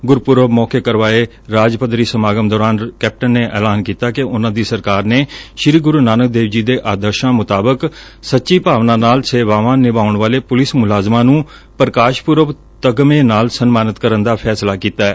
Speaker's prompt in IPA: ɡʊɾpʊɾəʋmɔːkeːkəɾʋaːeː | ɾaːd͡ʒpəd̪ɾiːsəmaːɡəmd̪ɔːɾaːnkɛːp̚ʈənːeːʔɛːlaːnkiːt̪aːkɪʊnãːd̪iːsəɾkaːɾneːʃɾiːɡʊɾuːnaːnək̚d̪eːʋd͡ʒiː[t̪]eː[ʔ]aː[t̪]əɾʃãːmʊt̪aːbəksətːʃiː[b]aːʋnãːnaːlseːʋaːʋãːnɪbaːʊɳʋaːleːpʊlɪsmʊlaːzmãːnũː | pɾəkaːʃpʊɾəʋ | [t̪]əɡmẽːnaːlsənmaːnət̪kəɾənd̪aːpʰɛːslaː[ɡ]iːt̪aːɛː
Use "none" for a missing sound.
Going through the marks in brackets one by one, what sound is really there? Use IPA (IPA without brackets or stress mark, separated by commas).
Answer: d̪, ʔ, d̪, p, t̪, k